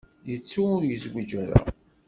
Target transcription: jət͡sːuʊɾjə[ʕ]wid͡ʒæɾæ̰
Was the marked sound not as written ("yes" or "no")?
yes